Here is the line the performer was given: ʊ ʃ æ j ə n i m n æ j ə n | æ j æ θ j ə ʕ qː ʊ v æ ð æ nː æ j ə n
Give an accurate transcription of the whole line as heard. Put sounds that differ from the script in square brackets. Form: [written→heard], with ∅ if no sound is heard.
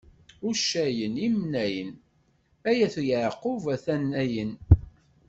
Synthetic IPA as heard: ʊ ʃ æ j ə n i m n æ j ə n | æ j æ θ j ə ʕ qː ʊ v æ [ð→θ] æ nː æ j ə n